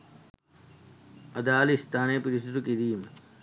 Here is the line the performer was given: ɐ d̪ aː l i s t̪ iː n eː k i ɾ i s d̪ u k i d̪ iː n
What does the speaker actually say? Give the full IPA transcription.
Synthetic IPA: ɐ d̪ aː l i s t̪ aː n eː p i ɾ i s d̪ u k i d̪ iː m